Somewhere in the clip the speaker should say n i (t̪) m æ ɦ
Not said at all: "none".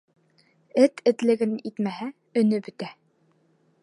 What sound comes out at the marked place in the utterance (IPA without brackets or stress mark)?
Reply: t̪